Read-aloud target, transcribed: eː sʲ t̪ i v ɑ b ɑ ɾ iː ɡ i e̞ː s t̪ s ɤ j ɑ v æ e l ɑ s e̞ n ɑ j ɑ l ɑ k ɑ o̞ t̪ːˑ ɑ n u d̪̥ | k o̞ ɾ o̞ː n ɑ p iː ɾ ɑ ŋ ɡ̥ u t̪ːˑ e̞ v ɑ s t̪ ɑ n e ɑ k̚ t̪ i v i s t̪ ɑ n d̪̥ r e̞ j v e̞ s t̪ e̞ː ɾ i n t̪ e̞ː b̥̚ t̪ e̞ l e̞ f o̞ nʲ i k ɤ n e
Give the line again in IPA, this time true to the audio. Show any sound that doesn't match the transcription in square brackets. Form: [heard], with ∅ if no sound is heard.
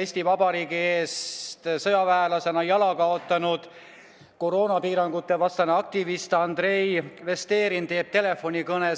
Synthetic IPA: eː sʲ t̪ i v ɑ b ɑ ɾ iː ɡ i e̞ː s t̪ s ɤ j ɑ v æ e l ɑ s e̞ n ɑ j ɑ l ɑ k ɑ o̞ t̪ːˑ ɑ n u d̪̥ | k o̞ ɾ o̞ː n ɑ p iː ɾ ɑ ŋ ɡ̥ u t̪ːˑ e̞ v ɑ s t̪ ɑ n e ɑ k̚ t̪ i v i s t̪ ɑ n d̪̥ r e̞ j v e̞ s t̪ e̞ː ɾ i n t̪ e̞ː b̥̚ t̪ e̞ l e̞ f o̞ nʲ i k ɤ n e